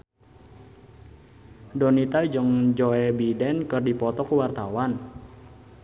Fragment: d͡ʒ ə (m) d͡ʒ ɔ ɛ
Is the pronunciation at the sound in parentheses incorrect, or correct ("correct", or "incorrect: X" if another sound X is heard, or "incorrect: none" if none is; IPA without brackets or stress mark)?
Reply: incorrect: ŋ